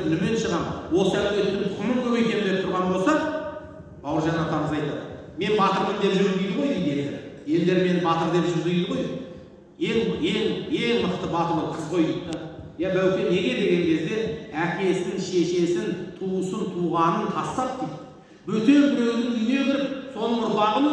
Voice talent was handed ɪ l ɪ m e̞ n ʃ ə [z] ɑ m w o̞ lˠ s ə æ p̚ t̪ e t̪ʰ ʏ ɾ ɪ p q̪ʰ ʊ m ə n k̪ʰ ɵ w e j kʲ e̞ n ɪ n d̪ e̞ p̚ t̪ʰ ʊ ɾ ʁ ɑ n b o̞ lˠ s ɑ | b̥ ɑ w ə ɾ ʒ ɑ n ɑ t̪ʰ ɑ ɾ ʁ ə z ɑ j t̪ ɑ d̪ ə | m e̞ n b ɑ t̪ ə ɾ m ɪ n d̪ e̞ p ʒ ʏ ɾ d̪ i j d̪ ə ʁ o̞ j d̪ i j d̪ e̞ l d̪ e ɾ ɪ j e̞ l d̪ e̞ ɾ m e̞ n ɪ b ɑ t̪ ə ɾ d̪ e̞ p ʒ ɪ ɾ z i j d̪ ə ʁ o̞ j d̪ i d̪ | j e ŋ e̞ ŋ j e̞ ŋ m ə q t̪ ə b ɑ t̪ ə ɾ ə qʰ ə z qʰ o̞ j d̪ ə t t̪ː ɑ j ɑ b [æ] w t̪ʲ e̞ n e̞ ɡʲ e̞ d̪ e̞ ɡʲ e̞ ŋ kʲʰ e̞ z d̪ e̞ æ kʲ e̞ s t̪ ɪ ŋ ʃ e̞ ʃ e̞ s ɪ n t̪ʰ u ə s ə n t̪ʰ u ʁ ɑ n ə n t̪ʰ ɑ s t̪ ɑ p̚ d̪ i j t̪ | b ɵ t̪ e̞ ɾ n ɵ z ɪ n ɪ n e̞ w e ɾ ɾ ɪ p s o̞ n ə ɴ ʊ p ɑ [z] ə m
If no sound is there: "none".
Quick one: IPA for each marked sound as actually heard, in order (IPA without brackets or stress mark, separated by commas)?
ʁ, æ, ʁ